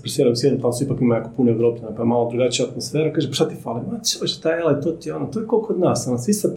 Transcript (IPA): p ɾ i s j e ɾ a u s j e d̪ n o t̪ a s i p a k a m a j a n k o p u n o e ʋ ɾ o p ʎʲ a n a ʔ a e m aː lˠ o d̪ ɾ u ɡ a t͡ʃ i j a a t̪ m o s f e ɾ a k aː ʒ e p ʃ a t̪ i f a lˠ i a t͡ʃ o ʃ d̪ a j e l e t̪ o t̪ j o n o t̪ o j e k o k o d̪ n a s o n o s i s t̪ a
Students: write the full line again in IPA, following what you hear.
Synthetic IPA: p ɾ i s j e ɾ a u s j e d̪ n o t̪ a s i p a k i m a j a k o p u n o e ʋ ɾ o p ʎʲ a n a p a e m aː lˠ o d̪ ɾ u ɡ a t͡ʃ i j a a t̪ m o s f e ɾ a k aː ʒ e p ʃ a t̪ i f a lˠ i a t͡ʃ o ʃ t̪ a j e l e t̪ o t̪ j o n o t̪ o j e k o k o d̪ n a s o n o s i s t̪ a